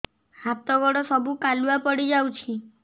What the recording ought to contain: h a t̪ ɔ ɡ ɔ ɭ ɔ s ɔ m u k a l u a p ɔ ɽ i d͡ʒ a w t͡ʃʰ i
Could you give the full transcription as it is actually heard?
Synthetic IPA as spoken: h a t̪ ɔ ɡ ɔ ɽ ɔ s ɔ b u k a l u a p ɔ ɽ i d͡ʒ a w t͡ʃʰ i